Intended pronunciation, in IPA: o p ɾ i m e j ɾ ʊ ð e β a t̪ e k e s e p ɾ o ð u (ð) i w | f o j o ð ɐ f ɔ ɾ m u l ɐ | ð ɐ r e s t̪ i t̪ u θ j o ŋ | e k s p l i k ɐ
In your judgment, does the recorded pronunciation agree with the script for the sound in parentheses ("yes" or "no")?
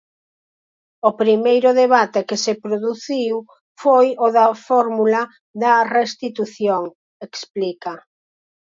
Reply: no